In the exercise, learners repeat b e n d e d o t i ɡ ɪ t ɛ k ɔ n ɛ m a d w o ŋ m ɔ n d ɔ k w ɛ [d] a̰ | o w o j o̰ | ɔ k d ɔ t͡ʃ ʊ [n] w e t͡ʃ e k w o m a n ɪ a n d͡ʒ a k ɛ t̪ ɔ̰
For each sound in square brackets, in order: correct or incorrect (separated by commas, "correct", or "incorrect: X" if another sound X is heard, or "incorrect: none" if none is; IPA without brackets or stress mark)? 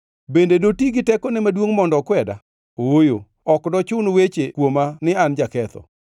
correct, correct